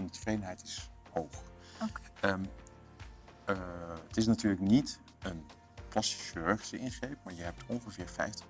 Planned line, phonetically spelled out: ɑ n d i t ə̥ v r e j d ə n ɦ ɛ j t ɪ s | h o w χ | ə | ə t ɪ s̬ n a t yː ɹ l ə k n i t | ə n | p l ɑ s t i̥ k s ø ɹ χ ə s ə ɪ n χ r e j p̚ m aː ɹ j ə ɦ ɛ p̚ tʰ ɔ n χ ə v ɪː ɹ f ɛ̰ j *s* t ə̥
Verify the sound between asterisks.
incorrect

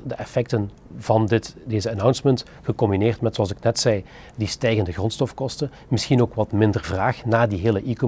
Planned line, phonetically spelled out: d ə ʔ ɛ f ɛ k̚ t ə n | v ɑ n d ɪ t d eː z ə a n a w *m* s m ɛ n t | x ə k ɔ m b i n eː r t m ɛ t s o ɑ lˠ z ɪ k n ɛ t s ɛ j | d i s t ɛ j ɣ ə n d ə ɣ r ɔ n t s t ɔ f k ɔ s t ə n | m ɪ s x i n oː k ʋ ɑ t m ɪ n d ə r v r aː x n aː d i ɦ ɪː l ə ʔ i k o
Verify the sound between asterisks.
incorrect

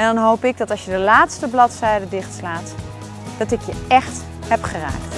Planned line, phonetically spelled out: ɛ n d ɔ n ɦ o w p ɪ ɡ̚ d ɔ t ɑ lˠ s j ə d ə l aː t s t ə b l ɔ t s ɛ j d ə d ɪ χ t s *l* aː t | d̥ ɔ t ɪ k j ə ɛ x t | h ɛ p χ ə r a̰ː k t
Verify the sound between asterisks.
correct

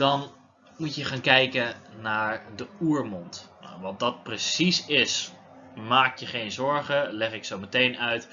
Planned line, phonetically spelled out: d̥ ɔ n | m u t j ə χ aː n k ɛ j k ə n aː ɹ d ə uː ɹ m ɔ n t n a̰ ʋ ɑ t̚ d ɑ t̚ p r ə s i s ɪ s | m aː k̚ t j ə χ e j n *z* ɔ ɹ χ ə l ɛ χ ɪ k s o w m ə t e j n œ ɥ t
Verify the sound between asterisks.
correct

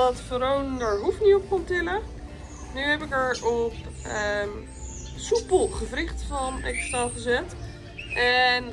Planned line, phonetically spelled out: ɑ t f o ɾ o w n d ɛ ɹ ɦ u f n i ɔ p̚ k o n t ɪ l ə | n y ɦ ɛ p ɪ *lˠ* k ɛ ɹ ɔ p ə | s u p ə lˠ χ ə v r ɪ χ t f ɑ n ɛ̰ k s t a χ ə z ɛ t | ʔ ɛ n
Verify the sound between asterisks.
incorrect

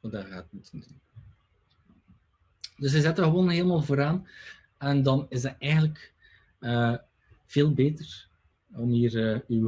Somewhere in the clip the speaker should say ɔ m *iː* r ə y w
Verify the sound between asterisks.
correct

